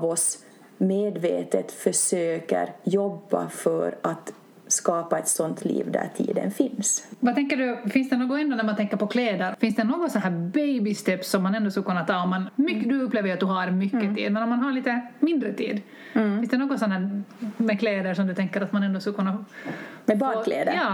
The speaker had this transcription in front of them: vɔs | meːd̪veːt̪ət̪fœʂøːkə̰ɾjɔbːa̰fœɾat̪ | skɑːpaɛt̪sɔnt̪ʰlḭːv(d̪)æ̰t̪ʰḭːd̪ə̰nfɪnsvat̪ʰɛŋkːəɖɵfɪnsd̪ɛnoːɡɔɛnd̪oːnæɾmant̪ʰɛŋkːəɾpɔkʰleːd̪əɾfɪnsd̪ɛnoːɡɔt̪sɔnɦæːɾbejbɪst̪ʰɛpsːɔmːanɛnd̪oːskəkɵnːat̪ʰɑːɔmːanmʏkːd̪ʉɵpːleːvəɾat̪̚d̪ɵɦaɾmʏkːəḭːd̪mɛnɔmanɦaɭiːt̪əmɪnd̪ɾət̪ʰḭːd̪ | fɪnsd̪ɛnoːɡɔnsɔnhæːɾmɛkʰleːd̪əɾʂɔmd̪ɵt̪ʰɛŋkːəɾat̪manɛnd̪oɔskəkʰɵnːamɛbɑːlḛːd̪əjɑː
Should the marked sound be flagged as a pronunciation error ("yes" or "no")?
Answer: no